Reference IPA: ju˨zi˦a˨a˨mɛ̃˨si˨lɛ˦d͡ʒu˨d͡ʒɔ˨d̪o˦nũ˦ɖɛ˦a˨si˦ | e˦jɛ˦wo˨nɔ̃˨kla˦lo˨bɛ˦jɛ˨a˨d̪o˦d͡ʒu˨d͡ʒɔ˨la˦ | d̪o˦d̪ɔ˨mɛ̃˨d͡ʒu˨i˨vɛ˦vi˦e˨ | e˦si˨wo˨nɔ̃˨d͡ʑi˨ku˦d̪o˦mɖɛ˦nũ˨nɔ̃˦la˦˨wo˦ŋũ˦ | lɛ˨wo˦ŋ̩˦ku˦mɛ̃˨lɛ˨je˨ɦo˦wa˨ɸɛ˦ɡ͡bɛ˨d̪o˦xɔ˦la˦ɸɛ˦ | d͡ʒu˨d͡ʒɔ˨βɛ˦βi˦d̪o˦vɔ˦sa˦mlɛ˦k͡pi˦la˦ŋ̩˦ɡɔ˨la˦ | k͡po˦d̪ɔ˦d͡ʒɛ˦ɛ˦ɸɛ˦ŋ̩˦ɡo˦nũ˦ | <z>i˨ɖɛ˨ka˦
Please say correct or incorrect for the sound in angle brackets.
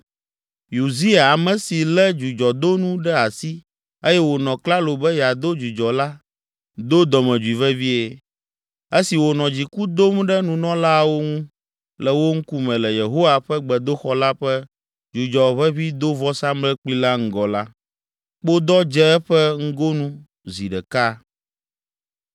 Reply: correct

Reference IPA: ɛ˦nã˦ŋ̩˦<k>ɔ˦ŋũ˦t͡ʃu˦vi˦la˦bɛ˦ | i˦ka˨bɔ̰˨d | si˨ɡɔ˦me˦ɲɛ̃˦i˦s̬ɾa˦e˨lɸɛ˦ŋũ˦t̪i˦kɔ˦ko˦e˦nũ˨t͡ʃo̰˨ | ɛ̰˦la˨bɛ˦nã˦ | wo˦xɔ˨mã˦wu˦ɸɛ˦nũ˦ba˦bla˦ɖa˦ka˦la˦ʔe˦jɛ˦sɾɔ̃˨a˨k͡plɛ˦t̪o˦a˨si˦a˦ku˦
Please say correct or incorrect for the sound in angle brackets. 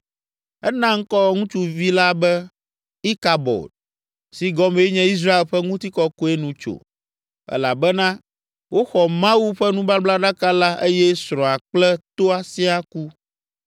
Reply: correct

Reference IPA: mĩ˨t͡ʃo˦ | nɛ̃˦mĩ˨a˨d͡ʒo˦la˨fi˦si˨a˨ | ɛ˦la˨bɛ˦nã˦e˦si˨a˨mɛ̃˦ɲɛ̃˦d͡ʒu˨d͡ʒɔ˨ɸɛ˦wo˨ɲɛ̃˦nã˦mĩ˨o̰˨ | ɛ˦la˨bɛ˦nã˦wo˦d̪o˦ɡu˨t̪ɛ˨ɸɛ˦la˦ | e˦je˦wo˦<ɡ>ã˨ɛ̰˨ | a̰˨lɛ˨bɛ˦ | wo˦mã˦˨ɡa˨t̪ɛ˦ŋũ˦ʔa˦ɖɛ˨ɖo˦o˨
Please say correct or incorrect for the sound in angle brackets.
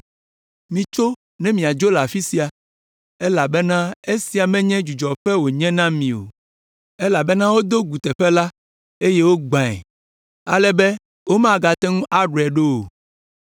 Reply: incorrect: ɡ͡b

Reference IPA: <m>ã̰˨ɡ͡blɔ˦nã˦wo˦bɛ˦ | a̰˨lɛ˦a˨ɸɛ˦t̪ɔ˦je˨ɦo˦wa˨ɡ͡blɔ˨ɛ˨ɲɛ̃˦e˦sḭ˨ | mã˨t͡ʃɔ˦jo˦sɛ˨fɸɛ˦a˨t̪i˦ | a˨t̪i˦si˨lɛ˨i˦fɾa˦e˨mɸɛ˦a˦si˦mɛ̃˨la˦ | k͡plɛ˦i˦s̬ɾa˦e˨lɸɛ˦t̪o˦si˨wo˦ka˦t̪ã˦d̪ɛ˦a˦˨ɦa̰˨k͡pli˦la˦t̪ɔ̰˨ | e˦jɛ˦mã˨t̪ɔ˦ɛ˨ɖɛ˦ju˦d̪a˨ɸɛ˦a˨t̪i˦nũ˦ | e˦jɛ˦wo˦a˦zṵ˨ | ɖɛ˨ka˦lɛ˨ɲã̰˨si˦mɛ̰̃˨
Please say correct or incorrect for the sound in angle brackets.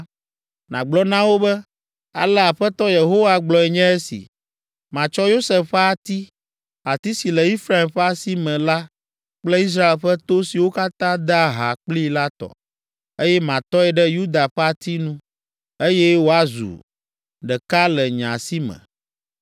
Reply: incorrect: n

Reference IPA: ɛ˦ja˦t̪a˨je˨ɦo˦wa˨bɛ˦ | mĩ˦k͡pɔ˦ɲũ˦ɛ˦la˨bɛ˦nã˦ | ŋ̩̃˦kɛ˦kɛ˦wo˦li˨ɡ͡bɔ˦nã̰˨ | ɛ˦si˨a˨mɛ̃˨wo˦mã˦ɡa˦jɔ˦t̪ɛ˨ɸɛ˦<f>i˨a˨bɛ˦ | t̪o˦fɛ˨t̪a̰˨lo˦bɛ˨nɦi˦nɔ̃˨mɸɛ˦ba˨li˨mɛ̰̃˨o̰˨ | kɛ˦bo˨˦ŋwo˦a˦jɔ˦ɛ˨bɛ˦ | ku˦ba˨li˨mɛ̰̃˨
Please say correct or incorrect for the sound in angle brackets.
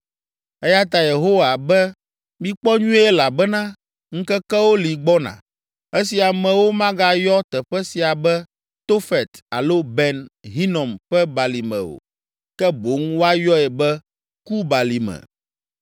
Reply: incorrect: s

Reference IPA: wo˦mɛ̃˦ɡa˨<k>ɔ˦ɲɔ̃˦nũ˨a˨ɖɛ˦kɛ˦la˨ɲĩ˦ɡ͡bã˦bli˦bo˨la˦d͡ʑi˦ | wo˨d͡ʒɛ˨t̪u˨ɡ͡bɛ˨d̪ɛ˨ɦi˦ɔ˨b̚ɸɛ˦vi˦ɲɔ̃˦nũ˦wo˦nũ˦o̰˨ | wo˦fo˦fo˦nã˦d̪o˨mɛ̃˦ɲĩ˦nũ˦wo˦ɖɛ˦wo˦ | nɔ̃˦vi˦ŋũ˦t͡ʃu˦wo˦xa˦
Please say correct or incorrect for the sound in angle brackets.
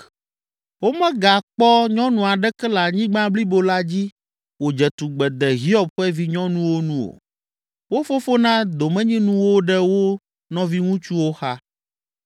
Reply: incorrect: k͡p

